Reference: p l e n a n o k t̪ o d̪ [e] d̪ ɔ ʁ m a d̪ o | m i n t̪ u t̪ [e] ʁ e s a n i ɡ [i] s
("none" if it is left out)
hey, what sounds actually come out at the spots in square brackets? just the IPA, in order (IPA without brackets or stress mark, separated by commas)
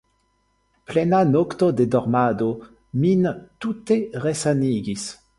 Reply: e, e, i